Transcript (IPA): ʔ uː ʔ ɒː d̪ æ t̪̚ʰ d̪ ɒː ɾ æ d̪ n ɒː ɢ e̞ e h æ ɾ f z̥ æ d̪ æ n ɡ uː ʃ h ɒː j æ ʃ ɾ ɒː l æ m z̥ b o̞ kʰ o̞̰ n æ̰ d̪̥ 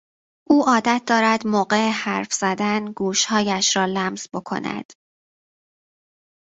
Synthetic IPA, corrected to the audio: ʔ uː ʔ ɒː d̪ æ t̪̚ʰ d̪ ɒː ɾ æ d̪ m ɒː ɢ e̞ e h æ ɾ f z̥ æ d̪ æ n ɡ uː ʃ h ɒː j æ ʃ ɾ ɒː l æ m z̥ b o̞ kʰ o̞̰ n æ̰ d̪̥